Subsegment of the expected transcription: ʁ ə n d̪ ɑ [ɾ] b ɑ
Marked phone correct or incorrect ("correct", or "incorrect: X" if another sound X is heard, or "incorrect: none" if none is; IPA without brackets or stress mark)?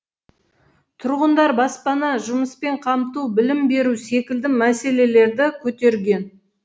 correct